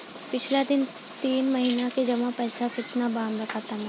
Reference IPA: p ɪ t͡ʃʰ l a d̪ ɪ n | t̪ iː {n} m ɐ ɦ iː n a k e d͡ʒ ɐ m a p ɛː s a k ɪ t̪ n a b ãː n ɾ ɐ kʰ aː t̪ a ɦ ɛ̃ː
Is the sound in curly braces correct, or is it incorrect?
correct